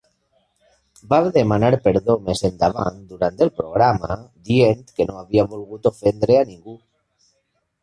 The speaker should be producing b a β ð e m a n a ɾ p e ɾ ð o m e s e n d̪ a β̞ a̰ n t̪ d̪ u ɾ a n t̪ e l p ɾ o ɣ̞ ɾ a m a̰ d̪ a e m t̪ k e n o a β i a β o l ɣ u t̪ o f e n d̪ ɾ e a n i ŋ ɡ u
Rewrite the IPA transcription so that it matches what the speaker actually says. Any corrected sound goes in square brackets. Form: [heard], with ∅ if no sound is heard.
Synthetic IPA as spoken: b a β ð e m a n a ɾ p e ɾ ð o m e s e n d̪ a β̞ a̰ n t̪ d̪ u ɾ a n t̪ e l p ɾ o ɣ̞ ɾ a m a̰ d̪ [i] e [n] t̪ k e n o a β i a β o l ɣ u t̪ o f e n d̪ ɾ e a n i ŋ ɡ u